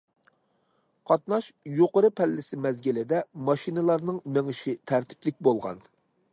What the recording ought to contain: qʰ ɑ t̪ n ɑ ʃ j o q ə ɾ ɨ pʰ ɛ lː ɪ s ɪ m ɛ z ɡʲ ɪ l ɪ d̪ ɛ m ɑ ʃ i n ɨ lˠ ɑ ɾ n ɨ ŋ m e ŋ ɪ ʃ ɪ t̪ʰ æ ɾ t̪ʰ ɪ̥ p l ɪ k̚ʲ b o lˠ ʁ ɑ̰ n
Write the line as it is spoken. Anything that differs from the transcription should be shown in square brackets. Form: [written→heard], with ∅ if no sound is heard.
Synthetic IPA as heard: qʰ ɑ t̪ n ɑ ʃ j o q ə ɾ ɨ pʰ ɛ lː ɪ s ɪ m ɛ z ɡʲ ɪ l ɪ d̪ ɛ m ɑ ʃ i n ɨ lˠ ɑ ɾ n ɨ ŋ m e ŋ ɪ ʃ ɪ t̪ʰ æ ɾ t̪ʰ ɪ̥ p l ɪ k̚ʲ b o lˠ ʁ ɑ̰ n